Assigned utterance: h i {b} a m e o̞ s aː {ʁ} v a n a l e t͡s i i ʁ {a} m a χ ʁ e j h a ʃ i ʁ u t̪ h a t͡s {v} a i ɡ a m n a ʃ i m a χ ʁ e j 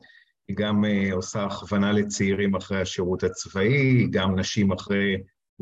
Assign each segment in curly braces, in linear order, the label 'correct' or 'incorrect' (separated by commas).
incorrect, incorrect, incorrect, correct